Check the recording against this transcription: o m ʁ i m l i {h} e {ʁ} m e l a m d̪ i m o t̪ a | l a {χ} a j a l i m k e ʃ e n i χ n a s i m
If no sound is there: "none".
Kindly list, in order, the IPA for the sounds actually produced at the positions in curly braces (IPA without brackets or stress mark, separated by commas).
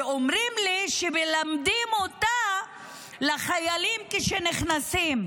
ʃ, none, χ